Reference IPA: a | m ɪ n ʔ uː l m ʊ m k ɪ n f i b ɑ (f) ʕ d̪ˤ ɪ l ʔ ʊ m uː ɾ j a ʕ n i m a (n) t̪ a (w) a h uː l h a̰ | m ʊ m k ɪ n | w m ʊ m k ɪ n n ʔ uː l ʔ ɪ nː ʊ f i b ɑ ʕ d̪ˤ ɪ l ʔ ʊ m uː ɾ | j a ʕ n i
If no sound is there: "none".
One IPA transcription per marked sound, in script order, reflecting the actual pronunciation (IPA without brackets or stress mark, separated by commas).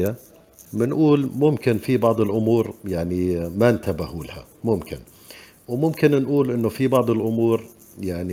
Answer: none, n, b